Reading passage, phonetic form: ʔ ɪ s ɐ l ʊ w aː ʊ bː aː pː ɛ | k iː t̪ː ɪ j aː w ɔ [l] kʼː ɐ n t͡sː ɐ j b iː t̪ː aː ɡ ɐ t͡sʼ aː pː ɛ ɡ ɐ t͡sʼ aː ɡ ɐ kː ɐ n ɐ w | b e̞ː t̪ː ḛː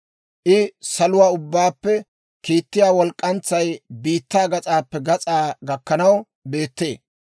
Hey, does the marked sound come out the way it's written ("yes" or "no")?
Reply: yes